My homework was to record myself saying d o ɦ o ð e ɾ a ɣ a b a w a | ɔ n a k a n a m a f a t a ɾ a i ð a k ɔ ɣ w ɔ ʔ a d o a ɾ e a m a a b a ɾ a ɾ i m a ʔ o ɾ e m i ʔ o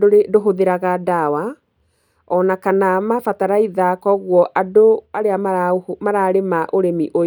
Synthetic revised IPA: d o ɦ o ð e ɾ a ɣ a d a w a | ɔ n a k a n a m a f a t a ɾ a i ð a k ɔ ɣ w ɔ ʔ a d o a ɾ e a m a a m a ɾ a ɾ e m a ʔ o ɾ e m i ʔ o